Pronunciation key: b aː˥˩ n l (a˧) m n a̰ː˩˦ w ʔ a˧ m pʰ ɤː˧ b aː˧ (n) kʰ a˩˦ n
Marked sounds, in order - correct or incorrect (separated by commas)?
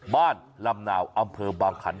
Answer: correct, incorrect